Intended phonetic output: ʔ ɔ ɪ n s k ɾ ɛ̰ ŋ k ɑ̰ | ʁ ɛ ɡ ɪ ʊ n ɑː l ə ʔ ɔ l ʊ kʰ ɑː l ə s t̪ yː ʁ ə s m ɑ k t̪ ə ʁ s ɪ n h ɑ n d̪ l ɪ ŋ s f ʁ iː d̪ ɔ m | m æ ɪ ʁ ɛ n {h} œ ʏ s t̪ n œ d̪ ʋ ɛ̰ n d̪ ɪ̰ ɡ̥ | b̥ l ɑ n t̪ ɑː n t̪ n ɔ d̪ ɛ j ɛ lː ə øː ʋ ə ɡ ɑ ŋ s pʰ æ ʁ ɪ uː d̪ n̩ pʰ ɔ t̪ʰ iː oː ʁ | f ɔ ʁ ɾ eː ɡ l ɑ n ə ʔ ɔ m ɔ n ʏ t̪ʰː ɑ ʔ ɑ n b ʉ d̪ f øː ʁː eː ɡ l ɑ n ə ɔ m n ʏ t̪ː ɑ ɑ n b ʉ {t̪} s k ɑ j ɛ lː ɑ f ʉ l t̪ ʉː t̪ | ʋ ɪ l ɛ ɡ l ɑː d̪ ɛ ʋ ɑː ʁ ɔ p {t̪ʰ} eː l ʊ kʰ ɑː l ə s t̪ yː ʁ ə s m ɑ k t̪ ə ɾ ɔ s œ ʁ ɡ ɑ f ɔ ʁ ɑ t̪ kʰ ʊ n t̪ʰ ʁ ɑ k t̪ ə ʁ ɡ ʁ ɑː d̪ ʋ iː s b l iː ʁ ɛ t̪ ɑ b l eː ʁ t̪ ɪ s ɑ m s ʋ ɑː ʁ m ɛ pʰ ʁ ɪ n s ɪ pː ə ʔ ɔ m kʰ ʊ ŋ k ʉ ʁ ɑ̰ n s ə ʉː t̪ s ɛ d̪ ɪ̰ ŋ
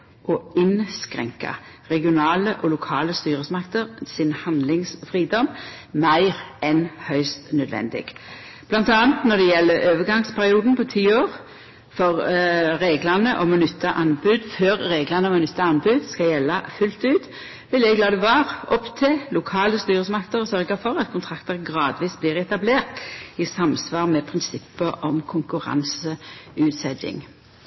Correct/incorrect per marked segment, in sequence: correct, incorrect: d̪, correct

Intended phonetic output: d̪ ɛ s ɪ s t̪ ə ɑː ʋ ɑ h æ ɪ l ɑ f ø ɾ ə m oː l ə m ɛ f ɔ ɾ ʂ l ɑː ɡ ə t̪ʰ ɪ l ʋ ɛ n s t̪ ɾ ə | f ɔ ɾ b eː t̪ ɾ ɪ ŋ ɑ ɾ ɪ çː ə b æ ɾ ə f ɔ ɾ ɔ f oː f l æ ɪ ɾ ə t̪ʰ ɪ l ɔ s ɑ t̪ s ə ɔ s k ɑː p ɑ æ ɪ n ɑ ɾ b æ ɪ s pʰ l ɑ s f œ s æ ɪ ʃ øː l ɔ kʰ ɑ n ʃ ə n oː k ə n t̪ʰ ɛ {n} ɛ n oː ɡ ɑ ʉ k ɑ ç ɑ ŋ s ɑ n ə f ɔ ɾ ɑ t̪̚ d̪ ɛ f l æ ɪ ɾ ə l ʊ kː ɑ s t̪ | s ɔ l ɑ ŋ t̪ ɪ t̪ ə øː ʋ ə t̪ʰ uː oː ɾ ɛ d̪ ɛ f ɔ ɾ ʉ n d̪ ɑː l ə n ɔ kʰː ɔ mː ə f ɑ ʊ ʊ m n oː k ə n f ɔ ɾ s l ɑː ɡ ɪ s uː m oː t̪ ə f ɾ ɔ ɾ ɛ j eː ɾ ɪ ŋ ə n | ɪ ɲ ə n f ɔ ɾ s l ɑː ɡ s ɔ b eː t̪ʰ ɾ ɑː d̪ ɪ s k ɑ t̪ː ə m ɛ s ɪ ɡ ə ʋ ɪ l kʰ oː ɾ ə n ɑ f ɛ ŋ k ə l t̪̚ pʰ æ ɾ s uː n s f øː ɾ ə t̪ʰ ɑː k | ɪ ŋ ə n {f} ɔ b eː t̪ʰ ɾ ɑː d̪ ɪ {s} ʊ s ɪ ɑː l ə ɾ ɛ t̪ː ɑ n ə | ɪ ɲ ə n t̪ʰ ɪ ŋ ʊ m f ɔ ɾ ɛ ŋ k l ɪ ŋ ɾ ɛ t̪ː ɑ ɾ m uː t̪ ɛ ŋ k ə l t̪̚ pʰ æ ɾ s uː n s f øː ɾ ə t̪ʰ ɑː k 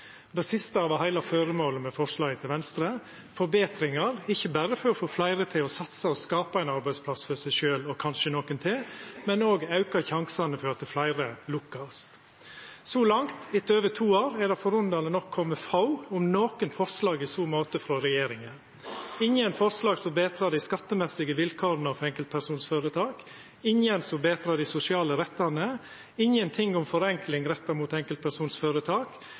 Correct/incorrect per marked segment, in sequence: incorrect: m, incorrect: s, correct

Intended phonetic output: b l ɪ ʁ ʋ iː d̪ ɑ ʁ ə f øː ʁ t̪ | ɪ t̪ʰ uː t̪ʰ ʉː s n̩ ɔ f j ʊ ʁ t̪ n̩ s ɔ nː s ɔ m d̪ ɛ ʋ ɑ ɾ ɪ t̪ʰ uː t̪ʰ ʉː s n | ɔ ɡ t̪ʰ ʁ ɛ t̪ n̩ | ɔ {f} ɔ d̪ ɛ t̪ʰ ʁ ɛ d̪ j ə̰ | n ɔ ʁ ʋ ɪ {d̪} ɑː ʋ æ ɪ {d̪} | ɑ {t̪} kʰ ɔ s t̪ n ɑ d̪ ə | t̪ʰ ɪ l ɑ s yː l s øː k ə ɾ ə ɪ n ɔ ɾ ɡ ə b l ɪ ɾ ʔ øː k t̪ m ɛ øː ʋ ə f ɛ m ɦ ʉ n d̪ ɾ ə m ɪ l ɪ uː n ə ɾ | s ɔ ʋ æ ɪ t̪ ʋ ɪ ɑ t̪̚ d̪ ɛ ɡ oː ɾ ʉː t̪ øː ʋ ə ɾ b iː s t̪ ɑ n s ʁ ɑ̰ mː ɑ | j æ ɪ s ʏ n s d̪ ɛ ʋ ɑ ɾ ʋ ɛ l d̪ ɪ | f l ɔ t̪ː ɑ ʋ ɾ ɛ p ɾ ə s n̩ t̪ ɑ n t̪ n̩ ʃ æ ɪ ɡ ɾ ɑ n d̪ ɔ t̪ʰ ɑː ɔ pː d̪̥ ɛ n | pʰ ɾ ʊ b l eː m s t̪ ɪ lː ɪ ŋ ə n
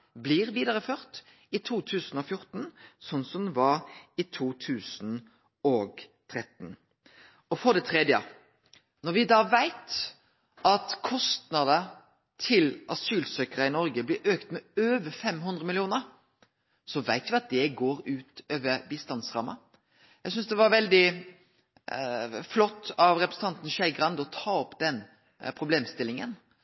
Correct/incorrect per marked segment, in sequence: correct, correct, incorrect: t̪, correct

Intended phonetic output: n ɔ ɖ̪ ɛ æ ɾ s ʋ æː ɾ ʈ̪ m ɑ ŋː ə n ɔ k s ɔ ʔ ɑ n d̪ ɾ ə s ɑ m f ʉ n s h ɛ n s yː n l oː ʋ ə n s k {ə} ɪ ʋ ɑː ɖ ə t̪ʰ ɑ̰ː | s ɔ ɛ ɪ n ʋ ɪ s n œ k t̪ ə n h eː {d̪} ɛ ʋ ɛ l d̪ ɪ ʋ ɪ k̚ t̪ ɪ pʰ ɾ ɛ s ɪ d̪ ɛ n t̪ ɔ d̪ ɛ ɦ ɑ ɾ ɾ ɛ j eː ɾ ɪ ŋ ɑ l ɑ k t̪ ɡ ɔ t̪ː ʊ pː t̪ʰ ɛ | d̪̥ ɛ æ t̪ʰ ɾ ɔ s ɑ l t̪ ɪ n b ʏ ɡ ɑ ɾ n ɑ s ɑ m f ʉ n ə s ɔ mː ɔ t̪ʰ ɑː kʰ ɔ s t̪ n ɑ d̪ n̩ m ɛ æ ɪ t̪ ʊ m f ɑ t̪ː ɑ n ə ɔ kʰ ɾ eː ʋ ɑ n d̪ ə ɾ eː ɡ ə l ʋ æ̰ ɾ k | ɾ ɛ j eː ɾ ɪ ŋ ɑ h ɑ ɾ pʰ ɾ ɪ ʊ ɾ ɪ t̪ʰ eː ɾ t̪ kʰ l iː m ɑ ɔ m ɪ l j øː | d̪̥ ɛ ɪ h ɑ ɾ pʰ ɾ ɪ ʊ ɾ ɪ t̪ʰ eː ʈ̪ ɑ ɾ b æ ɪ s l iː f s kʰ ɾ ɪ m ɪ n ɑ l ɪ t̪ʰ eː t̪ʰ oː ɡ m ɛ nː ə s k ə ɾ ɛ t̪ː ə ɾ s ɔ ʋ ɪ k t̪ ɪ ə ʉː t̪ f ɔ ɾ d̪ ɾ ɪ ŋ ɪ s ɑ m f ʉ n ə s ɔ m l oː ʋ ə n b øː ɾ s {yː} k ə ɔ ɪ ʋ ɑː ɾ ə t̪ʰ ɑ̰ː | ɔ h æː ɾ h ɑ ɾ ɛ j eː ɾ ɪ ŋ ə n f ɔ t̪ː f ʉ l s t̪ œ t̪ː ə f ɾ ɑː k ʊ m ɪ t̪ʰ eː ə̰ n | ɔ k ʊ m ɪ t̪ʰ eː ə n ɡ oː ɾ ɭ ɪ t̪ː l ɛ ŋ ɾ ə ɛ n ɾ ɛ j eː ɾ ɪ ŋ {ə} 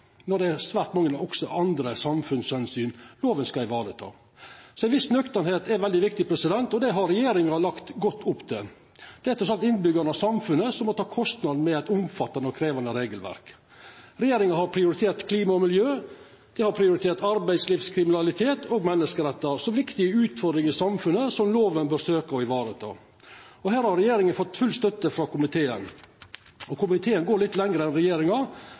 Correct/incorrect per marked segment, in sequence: incorrect: ɑ, incorrect: t̪, incorrect: øː, incorrect: ɑ

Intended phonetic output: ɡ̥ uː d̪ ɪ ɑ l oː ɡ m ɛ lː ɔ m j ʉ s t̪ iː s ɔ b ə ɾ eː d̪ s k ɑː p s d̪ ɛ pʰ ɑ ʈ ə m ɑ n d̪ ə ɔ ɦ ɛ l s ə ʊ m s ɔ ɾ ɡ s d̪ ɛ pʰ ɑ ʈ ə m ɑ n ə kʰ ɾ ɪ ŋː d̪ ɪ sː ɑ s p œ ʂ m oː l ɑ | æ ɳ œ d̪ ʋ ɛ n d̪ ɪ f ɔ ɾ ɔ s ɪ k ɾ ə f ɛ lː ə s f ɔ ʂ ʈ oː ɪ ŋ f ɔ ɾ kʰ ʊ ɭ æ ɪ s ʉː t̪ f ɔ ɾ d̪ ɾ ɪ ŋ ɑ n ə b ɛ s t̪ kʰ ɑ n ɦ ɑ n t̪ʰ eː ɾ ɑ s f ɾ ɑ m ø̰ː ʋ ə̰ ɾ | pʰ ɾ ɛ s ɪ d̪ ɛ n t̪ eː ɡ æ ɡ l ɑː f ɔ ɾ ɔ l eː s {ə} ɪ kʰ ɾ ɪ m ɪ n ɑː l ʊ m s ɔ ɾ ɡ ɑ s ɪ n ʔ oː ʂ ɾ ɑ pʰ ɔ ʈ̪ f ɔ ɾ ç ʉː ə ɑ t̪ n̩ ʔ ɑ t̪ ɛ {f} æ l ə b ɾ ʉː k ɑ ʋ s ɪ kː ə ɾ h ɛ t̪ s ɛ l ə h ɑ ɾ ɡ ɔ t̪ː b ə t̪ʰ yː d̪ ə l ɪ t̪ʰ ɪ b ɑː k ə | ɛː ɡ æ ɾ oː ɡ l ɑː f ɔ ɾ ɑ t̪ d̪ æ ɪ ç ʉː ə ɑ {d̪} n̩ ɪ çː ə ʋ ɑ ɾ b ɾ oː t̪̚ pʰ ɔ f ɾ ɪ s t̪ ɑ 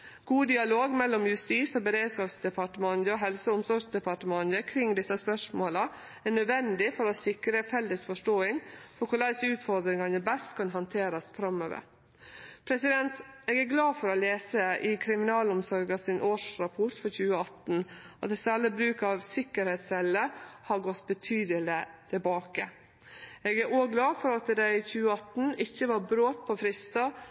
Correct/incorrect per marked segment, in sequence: correct, incorrect: s, incorrect: t̪

